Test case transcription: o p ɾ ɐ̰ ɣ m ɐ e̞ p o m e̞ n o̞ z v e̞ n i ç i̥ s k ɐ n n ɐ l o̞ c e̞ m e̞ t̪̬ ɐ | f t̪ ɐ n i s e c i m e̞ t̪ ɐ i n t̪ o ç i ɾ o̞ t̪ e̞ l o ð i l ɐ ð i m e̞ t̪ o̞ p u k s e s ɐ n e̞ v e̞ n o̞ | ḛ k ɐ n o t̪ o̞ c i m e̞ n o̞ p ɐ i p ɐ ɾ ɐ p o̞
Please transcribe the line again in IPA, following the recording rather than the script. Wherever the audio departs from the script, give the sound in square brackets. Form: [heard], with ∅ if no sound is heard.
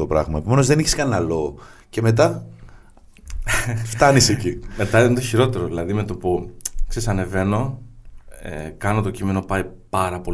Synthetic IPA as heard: o p ɾ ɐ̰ ɣ m ɐ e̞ p o m e̞ n o̞ z [ð] e̞ n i ç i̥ s k ɐ n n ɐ l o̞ c e̞ m e̞ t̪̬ ɐ | f t̪ ɐ n i s e c i m e̞ t̪ ɐ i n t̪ o ç i ɾ o̞ t̪ e̞ [ɾ] o ð i l ɐ ð i m e̞ t̪ o̞ p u k s e s ɐ n e̞ v e̞ n o̞ | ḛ k ɐ n o t̪ o̞ c i m e̞ n o̞ p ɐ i p ɐ ɾ ɐ p o̞